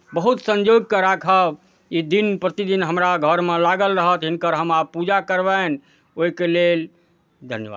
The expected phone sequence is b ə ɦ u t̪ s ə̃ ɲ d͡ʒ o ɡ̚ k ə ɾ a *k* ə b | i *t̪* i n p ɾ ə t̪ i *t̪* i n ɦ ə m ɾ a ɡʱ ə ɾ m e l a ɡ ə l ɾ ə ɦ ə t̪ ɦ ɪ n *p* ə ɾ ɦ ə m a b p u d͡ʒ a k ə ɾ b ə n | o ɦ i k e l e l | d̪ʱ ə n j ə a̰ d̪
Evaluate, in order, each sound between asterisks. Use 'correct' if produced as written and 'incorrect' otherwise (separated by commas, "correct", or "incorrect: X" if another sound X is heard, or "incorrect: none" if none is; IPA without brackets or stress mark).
incorrect: kʰ, incorrect: d̪, incorrect: d̪, incorrect: k